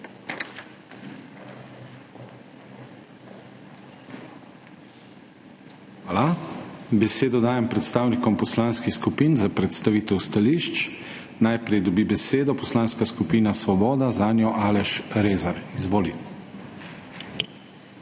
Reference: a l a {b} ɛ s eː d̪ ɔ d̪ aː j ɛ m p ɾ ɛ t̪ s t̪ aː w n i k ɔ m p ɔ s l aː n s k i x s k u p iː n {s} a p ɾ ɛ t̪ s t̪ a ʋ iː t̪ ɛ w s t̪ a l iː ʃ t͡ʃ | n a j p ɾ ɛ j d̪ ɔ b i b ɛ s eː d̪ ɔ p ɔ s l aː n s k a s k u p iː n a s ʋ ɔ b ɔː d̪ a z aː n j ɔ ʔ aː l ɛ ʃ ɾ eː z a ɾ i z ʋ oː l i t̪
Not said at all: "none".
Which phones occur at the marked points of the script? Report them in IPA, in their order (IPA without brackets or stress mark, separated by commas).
b, z